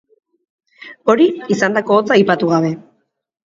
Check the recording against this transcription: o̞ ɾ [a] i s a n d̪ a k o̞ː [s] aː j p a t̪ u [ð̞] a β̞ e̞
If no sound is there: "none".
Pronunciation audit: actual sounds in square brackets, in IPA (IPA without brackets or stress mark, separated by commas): i, t͡s, ɣ̞